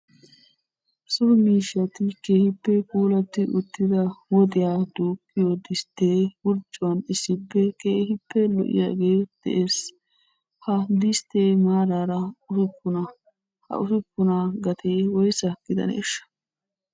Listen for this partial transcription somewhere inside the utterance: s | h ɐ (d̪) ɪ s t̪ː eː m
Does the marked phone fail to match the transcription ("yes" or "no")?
no